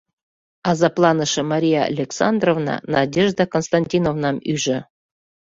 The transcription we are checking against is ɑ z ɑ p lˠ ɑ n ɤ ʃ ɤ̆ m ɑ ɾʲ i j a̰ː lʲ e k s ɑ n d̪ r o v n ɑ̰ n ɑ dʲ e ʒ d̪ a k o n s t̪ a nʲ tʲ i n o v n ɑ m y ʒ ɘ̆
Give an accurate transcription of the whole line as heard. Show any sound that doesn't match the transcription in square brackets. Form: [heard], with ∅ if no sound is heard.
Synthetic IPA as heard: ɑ z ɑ p lˠ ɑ n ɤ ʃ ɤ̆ m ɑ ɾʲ i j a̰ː lʲ e k s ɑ n d̪ r o v n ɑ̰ n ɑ dʲ e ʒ d̪ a k o n s t̪ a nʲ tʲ i n o v n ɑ m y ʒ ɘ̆